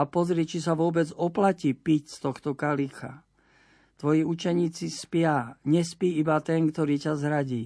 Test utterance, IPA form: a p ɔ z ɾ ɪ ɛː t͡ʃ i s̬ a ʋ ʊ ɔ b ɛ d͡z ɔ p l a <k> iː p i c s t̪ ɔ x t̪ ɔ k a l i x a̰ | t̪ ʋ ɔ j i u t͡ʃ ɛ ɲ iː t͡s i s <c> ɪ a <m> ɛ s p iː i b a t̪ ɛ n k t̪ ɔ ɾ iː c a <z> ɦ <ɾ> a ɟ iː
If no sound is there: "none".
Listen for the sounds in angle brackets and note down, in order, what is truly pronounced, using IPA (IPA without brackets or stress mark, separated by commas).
c, p, ɲ, z, ɾ